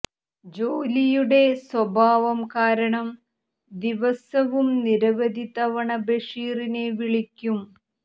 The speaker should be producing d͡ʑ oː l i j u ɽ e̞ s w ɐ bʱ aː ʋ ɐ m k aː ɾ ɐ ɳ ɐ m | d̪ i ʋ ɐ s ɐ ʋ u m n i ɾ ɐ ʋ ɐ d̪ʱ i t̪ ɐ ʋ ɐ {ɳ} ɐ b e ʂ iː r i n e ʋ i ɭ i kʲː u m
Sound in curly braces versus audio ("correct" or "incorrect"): correct